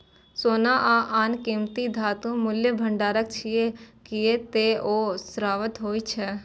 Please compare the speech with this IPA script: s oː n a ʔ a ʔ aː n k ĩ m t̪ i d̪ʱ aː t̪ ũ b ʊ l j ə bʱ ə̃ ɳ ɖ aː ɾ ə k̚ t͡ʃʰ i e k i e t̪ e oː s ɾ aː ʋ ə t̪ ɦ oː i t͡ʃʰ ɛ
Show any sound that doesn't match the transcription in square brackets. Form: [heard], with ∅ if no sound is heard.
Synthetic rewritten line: s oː n a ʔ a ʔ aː n k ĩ m t̪ i d̪ʱ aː t̪ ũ [m] ʊ l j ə bʱ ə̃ ɳ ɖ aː ɾ ə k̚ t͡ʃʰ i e k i e t̪ e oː s ɾ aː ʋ ə t̪ ɦ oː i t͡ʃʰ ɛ